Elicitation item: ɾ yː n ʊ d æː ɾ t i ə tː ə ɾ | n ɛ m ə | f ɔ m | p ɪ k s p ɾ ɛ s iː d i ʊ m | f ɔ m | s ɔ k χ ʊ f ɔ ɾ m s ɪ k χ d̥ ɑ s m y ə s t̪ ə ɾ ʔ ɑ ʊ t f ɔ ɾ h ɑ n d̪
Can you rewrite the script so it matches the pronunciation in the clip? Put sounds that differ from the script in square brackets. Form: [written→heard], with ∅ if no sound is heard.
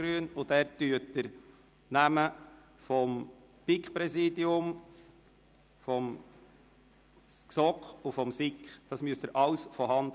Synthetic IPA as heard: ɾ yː n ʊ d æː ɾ t [i→y] ə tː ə ɾ | n [ɛ→æ] m ə | f ɔ m | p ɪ k [s→χ] p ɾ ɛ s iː d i ʊ m | f ɔ m | s ɔ k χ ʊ f ɔ [ɾ→∅] m s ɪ k χ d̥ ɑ s m y ə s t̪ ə ɾ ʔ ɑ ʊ [t→s] f ɔ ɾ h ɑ n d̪